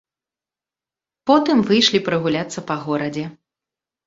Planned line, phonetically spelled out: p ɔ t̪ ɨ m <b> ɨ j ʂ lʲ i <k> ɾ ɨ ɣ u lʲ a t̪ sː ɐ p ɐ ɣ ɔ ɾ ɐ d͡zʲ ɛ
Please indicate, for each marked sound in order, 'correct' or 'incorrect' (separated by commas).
incorrect, incorrect